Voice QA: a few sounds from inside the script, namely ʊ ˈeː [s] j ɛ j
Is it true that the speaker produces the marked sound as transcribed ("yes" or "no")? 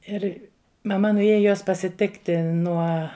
no